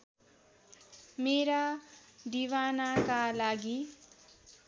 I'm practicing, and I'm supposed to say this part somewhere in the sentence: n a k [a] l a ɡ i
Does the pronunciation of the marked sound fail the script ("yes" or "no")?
no